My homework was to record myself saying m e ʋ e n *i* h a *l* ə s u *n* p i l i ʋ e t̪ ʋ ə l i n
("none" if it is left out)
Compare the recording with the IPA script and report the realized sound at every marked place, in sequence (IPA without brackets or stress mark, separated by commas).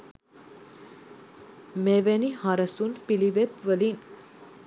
i, ɾ, n